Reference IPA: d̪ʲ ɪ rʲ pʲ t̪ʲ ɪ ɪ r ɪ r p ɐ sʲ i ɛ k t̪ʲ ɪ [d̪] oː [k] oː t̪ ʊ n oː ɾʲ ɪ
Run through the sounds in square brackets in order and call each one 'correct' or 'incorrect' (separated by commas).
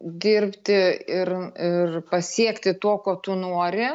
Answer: incorrect, correct